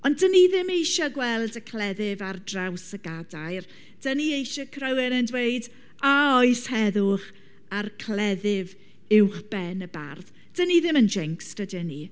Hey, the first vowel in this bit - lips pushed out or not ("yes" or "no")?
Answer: yes